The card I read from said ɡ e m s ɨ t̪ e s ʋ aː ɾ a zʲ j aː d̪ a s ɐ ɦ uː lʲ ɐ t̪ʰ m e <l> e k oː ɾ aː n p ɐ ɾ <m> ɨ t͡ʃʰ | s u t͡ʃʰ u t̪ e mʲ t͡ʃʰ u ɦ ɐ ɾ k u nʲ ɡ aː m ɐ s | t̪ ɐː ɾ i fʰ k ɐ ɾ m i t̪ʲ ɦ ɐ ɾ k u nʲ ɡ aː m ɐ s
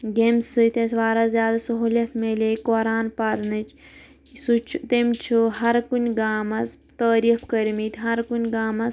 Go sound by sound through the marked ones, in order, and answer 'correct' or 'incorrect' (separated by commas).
correct, incorrect